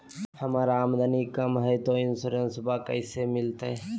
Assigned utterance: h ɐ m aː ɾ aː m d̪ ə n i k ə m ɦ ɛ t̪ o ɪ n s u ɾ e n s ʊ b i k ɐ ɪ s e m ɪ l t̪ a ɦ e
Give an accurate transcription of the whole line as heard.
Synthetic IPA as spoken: h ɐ m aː ɾ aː m d̪ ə n i k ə m ɦ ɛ t̪ o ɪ n s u ɾ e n s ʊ b a k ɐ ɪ s e m ɪ l t̪ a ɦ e